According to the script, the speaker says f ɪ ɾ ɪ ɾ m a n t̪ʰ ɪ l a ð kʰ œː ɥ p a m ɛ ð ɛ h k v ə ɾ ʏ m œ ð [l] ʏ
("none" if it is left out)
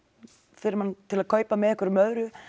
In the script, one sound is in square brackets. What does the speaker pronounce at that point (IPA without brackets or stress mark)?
ɾ